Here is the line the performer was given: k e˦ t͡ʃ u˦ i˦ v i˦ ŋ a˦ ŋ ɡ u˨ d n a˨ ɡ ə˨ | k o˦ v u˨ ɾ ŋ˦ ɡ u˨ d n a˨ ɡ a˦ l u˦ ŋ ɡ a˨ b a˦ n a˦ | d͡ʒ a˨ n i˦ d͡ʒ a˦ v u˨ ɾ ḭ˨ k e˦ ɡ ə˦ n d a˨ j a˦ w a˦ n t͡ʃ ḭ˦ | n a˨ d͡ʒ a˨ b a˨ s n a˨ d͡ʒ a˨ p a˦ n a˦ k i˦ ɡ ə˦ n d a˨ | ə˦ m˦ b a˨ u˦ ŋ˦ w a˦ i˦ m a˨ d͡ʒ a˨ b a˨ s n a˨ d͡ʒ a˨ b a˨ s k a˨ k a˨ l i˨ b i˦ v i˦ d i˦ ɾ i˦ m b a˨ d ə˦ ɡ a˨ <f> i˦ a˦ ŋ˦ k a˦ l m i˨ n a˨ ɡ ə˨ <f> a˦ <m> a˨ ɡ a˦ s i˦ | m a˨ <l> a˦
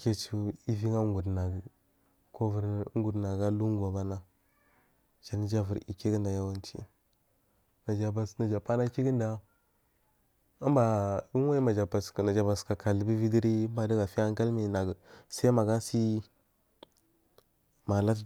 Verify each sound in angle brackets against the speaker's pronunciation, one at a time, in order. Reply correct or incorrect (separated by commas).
correct, incorrect, correct, correct